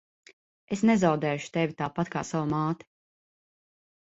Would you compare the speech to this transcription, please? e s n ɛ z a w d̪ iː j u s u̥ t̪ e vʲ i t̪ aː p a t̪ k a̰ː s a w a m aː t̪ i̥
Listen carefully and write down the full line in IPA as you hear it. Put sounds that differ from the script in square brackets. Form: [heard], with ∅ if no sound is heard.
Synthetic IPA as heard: e s n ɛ z a w d̪ [ɛː] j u [ʃ] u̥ t̪ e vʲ i t̪ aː p a t̪ k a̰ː s a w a m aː t̪ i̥